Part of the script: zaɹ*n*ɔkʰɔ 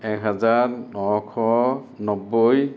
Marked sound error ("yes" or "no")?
no